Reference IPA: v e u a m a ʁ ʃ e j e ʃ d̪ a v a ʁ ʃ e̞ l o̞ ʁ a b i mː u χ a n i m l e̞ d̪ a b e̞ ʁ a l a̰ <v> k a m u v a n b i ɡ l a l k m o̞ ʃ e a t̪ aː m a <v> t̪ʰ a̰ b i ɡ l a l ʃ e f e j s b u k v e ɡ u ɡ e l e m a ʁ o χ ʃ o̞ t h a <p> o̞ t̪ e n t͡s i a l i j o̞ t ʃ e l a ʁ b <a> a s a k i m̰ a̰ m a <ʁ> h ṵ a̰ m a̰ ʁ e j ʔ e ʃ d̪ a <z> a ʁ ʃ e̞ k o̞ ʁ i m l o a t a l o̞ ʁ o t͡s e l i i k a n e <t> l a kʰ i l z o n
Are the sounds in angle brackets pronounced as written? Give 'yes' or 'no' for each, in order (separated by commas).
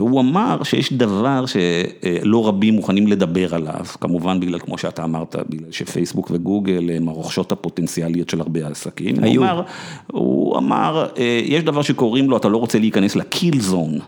yes, no, yes, no, yes, no, no